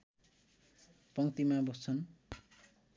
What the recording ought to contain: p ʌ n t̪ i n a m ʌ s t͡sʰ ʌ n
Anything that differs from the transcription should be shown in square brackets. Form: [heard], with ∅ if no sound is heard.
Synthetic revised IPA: p ʌ [ŋ] t̪ i [m] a [b] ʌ s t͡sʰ ʌ n